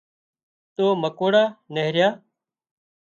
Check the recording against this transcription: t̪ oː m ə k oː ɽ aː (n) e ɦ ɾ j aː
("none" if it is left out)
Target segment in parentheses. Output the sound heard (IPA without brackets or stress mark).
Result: n